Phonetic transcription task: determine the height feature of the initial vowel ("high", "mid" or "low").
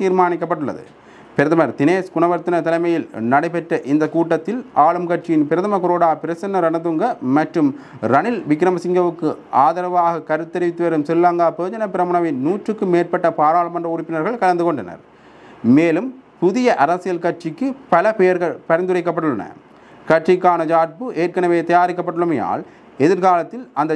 high